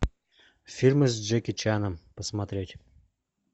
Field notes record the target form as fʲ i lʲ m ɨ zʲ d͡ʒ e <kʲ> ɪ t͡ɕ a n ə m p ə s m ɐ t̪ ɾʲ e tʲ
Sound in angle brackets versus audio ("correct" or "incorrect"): correct